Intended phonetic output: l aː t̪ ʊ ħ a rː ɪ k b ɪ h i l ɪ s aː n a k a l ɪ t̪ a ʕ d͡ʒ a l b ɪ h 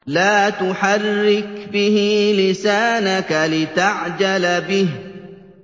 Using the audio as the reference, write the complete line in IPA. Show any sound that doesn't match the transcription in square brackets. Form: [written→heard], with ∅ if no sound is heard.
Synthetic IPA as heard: l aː t̪ ʊ ħ a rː ɪ k b ɪ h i l ɪ s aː n a k a l ɪ t̪ a ʕ d͡ʒ a l b ɪ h

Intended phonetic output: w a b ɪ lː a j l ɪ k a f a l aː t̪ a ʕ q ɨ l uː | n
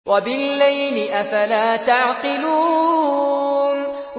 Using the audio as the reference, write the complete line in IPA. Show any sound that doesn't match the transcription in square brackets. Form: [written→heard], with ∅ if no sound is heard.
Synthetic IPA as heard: w a b ɪ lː a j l ɪ [k→ʔ] a f a l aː t̪ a ʕ q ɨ l uː | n

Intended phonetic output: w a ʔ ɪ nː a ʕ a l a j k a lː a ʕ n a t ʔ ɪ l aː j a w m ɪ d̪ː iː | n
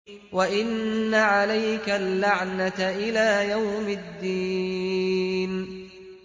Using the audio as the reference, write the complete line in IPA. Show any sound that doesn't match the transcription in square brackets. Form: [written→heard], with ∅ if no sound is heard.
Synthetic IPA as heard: w a ʔ ɪ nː a ʕ a l a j k a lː a ʕ n a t ʔ ɪ l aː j a w m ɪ d̪ː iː | n

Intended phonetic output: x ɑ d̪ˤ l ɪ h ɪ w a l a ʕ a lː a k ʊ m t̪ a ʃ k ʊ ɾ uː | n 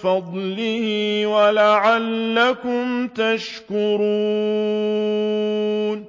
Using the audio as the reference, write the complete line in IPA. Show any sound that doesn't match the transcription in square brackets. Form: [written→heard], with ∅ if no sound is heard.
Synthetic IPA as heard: [x→f] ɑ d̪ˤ l ɪ h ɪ w a l a ʕ a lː a k ʊ m t̪ a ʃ k ʊ ɾ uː | n

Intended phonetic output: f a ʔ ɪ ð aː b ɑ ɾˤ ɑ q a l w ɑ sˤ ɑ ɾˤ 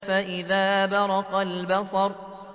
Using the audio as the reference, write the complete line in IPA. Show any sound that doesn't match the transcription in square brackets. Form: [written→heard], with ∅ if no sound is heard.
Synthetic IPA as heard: f a ʔ ɪ ð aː b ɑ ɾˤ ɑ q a l [w→b] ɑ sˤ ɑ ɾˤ

